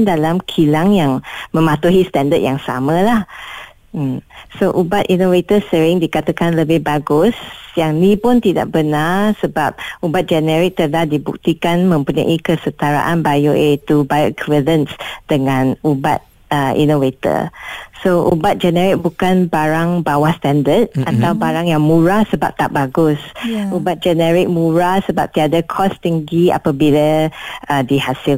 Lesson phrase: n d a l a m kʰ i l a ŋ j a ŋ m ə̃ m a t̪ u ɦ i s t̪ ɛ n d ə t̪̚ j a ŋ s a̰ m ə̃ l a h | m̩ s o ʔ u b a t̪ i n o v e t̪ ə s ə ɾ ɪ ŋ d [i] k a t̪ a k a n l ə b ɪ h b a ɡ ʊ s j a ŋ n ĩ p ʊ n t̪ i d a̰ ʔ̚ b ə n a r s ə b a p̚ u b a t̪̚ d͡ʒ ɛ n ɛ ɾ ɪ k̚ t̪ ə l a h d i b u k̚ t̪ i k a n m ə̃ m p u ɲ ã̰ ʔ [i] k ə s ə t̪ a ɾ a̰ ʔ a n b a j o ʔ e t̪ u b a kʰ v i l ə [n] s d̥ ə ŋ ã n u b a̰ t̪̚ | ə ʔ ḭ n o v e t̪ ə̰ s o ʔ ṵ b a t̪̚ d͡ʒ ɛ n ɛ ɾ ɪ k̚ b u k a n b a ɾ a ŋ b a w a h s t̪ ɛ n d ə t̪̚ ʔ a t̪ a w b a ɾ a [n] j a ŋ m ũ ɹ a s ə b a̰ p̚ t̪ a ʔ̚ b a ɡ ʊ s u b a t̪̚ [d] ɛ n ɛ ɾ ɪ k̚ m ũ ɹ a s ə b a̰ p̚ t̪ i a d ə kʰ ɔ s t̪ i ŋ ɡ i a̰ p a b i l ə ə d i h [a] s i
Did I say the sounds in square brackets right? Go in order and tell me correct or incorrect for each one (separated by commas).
correct, correct, correct, incorrect, incorrect, correct